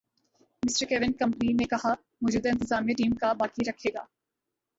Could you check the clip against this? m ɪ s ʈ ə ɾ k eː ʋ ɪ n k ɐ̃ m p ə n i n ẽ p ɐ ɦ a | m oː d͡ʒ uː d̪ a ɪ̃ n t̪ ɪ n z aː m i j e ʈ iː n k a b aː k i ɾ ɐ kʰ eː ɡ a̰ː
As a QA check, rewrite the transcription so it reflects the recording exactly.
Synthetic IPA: m ɪ s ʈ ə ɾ k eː ʋ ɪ n k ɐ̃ m p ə n i n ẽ k ɐ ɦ a | m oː d͡ʒ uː d̪ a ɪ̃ n t̪ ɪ z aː m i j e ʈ iː m k a b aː k i ɾ ɐ kʰ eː ɡ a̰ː